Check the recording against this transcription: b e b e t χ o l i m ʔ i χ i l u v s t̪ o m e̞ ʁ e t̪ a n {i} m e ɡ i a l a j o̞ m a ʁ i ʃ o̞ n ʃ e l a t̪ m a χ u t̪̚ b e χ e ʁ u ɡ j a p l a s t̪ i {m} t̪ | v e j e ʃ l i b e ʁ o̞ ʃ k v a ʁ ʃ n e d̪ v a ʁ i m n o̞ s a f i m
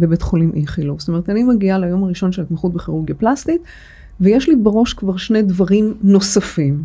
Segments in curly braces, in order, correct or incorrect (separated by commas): correct, incorrect